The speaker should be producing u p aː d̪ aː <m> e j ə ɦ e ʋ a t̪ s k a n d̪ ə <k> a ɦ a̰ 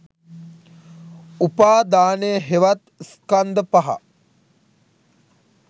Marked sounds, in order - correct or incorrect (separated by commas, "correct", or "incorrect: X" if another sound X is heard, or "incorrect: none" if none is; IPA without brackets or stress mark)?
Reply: incorrect: n, incorrect: p